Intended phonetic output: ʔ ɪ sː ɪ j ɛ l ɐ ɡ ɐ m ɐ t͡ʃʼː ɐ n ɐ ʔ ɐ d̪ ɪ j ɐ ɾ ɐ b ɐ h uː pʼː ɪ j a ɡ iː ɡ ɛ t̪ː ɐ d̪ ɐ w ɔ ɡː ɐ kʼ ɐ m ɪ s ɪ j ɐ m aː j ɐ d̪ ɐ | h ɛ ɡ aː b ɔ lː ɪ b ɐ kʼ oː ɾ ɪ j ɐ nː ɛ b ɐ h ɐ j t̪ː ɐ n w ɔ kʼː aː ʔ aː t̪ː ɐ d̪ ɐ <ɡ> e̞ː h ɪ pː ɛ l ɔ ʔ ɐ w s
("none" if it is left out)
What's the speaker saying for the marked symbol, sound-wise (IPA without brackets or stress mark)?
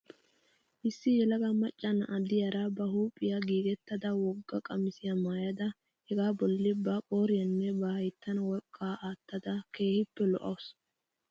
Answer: k